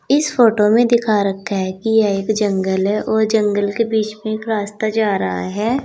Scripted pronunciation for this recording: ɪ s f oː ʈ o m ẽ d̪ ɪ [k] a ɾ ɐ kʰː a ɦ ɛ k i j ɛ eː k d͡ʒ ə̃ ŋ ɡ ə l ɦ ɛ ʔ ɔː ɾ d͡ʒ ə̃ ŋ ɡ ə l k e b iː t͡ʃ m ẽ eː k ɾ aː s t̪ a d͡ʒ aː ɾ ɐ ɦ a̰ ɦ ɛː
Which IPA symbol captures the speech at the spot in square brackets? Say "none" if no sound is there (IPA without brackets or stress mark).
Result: kʰ